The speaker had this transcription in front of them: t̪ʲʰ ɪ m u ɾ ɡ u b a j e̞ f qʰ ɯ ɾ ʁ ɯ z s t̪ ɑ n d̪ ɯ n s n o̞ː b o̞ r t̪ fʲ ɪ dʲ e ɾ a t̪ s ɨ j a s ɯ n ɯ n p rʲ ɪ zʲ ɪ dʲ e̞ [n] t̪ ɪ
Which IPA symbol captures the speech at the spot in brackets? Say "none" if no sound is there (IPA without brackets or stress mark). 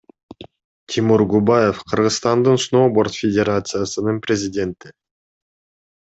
n